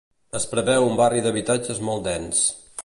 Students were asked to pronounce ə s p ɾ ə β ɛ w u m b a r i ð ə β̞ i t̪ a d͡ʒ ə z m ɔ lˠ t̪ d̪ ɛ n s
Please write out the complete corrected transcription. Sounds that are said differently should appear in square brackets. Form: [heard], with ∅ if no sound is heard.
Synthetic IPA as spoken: ə s p ɾ ə β ɛ w u m b a r i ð ə β̞ i t̪ a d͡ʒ ə z m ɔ lˠ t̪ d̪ ɛ n s